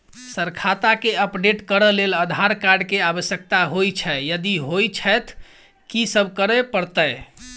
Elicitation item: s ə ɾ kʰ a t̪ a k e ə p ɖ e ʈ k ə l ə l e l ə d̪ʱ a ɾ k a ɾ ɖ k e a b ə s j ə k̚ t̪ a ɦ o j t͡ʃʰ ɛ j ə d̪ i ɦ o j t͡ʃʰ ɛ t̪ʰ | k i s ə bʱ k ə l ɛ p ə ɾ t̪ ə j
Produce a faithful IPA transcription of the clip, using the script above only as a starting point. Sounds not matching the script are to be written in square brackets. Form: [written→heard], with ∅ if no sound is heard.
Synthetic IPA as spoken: s ə ɾ kʰ a t̪ a k e ə p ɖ e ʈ k ə [l→ɾ] ə l e l ə d̪ʱ a ɾ k a ɾ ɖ k e a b ə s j ə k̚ t̪ a ɦ o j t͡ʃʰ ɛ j ə d̪ i ɦ o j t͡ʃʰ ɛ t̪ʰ | k i s ə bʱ k ə [l→ɾ] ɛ p ə ɾ t̪ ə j

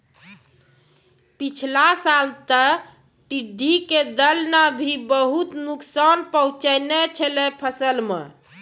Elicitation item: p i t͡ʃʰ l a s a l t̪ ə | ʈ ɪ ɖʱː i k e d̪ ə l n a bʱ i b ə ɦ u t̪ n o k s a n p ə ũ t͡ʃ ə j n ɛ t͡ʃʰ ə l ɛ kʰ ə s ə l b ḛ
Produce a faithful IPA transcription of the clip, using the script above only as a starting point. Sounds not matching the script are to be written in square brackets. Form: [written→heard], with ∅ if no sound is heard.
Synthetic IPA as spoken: p i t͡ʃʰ l a s a l t̪ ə | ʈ [ɪ→i] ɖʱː i k e d̪ ə l n a bʱ i b ə ɦ u t̪ n [o→u] k s a n p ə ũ t͡ʃ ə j n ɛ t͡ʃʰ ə l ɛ [kʰ→pʰ] ə s ə l [b→m] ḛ

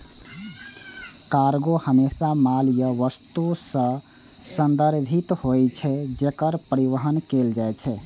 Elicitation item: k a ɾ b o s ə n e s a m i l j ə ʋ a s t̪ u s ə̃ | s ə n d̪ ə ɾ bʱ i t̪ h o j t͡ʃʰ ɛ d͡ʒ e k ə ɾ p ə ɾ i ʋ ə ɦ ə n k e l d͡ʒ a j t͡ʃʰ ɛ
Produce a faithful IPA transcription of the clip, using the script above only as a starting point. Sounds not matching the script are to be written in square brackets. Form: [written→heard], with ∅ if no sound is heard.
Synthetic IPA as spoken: k a ɾ [b→ɡ] o [s→h] ə [n→m] e s a m [i→a] l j ə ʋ [a→ə] s t̪ u s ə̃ | s ə n d̪ ə ɾ bʱ i t̪ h o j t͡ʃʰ ɛ d͡ʒ e k ə ɾ p ə ɾ i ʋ ə ɦ ə n k e l d͡ʒ a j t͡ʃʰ ɛ

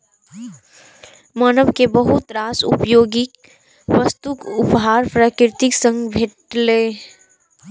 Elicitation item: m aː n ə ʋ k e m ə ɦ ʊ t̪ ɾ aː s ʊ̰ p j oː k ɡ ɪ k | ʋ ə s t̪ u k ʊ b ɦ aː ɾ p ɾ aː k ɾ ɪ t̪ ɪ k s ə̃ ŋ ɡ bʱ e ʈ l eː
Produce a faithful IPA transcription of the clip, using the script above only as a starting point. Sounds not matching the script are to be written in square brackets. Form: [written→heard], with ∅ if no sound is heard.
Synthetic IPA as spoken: m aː n ə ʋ k e [m→b] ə ɦ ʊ t̪ ɾ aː s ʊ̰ p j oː [k→∅] ɡ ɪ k | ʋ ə s t̪ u k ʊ [b→p] ɦ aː ɾ p ɾ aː k ɾ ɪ t̪ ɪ k s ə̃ ŋ ɡ bʱ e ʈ l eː

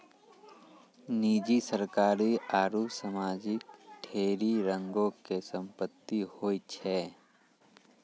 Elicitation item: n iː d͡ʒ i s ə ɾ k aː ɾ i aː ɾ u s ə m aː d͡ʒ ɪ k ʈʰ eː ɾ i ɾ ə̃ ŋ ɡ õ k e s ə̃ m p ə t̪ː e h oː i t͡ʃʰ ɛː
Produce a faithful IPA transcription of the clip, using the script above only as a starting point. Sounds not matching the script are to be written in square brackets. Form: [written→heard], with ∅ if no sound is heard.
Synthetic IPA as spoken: n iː d͡ʒ i s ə ɾ k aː ɾ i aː ɾ u s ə m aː d͡ʒ ɪ k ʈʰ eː ɾ i ɾ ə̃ ŋ ɡ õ k e s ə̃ m p ə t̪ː [e→i] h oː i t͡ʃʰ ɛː

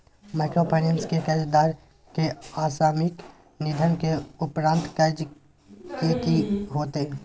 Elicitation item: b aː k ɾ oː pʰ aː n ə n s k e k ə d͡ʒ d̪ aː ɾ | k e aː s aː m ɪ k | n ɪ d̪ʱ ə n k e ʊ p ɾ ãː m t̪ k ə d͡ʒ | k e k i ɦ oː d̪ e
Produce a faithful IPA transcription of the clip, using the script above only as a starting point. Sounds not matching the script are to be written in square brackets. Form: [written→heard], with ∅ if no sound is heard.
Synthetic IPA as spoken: [b→m] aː k ɾ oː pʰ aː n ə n s k e k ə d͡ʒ d̪ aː ɾ | k e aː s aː m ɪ k | n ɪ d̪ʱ ə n k e ʊ p ɾ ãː [m→n] t̪ k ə d͡ʒ | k e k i ɦ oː [d̪→t̪] e

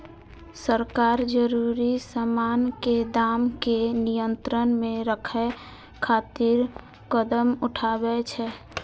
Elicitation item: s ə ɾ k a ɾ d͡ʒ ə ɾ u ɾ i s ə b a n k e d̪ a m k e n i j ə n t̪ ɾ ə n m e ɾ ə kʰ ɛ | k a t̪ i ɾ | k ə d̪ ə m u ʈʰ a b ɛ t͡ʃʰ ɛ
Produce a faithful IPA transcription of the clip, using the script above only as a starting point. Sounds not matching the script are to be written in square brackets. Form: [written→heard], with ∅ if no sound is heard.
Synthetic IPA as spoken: s ə ɾ k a ɾ d͡ʒ ə ɾ u ɾ i s ə [b→m] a n k e d̪ a m k e n i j ə n t̪ ɾ ə n m e ɾ ə kʰ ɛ | [k→kʰ] a t̪ i ɾ | k ə d̪ ə m u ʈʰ a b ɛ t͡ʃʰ ɛ

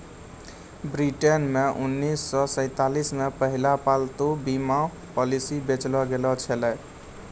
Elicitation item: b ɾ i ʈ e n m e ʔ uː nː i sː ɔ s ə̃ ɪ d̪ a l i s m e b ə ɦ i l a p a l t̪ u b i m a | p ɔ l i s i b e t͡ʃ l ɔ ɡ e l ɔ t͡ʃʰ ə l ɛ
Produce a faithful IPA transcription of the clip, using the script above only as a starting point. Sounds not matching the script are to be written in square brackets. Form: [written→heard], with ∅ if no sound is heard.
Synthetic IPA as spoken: b ɾ i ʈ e n m e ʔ [uː→u] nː i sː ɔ s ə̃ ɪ [d̪→t̪] a l i s m e [b→p] ə ɦ i l a p a l t̪ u b i m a | p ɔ l i s i b e t͡ʃ l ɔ ɡ e l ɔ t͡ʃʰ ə l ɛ

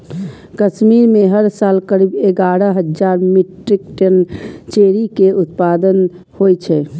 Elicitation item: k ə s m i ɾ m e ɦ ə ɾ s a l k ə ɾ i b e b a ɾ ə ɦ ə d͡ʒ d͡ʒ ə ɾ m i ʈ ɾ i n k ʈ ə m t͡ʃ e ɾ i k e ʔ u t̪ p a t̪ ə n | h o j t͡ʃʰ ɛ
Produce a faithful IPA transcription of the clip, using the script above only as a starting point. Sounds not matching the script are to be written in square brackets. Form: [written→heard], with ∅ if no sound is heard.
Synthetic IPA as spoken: k ə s m i ɾ m e ɦ ə ɾ s a l k ə ɾ i b e [b→ɡ] a ɾ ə ɦ ə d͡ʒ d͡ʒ [ə→a] ɾ m i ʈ ɾ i [n→∅] k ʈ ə [m→n] t͡ʃ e ɾ i k e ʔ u t̪ p a [t̪→d̪] ə n | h o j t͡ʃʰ ɛ

